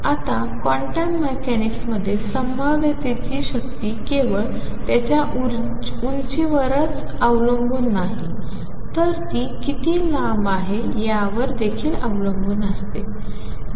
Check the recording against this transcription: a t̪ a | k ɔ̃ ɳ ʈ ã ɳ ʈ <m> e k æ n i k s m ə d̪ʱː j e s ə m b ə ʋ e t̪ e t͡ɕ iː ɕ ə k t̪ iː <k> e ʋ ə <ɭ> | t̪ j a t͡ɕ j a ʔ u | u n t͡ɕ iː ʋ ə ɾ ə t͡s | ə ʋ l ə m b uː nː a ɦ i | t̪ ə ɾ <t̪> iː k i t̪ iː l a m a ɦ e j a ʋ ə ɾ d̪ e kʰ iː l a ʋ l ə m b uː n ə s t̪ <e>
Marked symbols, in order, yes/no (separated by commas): yes, yes, yes, yes, yes